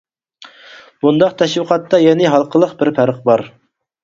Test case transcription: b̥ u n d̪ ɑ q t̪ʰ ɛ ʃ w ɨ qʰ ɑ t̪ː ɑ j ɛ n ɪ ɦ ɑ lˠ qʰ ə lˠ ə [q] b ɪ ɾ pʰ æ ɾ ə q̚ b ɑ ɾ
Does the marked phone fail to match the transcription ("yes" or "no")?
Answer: no